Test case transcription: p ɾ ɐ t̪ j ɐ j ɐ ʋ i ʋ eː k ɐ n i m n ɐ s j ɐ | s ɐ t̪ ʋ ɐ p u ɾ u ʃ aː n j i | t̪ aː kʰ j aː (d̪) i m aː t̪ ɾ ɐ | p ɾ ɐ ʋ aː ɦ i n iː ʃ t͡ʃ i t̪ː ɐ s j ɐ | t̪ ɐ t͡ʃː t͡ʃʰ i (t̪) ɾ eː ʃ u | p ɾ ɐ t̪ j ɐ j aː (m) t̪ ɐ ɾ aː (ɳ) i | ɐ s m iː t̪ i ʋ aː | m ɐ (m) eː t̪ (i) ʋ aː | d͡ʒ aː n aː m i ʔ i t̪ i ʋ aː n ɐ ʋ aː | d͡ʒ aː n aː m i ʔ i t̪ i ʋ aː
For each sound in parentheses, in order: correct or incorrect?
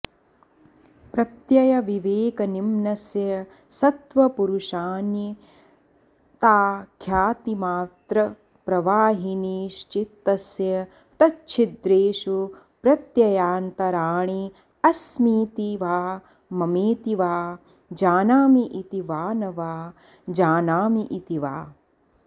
incorrect: t̪, incorrect: d̪, incorrect: n, correct, correct, correct

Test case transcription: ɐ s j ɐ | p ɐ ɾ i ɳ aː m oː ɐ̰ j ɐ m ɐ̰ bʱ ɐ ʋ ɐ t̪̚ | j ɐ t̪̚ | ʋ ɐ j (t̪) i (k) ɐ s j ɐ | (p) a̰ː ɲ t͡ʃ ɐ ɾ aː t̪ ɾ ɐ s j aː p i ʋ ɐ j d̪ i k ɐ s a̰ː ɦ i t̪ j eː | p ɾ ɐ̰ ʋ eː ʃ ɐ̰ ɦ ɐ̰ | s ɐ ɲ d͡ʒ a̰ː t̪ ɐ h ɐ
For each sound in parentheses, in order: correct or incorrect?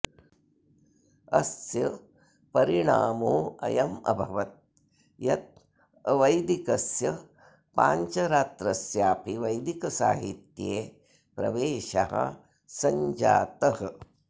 incorrect: d̪, correct, correct

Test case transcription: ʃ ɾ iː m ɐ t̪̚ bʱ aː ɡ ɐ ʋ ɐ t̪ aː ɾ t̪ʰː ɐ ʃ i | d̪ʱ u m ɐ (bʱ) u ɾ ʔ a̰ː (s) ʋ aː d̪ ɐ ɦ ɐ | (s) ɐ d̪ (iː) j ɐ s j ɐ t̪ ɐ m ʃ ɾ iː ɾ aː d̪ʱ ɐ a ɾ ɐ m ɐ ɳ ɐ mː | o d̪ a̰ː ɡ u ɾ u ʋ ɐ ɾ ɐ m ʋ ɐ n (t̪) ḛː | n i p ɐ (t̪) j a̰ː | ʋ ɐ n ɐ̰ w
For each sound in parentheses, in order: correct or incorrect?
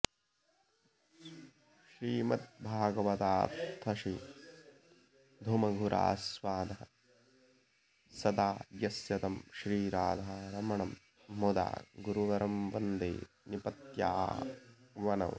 incorrect: ɡʱ, correct, correct, incorrect: aː, incorrect: d̪, correct

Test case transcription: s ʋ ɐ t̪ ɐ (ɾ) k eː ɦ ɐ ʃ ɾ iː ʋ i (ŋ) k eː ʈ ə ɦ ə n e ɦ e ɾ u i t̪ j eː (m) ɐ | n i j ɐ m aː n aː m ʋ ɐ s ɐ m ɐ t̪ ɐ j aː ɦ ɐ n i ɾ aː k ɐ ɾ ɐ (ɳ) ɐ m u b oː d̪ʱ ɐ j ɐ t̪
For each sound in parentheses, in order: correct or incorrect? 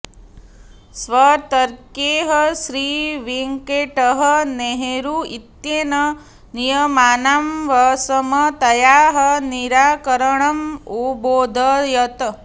correct, correct, incorrect: n, correct

